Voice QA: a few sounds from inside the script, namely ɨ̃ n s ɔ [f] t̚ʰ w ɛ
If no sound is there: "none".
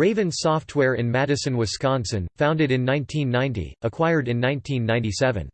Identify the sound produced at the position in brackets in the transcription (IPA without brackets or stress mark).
f